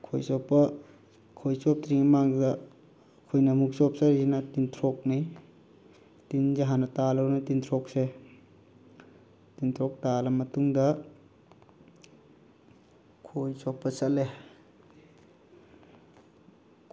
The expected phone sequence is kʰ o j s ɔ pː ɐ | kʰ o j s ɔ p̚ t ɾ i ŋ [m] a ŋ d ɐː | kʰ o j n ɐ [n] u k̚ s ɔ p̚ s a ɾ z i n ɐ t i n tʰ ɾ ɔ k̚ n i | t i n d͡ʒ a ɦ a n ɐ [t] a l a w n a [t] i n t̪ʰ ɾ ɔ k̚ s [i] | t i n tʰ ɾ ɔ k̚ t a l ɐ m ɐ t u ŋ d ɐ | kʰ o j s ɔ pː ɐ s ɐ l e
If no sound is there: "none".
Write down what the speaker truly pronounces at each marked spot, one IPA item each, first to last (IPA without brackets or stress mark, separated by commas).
m, m, t, t, e